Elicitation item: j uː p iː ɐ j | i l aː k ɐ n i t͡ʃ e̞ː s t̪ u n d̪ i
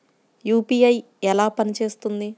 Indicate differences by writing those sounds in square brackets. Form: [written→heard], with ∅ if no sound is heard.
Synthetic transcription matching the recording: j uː p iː ɐ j | [i→ɛ] l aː [k→p] ɐ n i t͡ʃ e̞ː s t̪ u n d̪ i